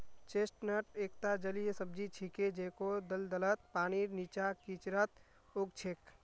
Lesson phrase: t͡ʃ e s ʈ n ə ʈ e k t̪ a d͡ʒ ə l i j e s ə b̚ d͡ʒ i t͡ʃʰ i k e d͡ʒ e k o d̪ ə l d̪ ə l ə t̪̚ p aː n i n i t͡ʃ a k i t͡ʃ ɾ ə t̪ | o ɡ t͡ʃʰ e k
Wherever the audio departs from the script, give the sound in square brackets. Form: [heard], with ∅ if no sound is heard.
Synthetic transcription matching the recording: t͡ʃ e s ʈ n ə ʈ e k t̪ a d͡ʒ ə l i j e s ə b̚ d͡ʒ i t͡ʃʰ i k e d͡ʒ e k o d̪ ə l d̪ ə l ə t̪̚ p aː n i n i t͡ʃ a k i t͡ʃ ɾ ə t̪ | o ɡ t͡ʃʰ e k